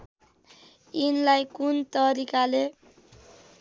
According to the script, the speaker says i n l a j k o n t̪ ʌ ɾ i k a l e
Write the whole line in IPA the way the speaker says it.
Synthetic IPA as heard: i n l a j k u n t̪ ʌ ɾ i k a l e